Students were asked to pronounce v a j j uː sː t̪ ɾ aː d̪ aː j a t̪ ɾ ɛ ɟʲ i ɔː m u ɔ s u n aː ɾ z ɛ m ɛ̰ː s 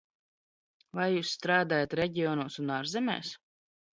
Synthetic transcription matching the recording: v a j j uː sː t̪ ɾ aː d̪ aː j a t̪ ɾ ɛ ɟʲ i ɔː n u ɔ s u n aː ɾ z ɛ m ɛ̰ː s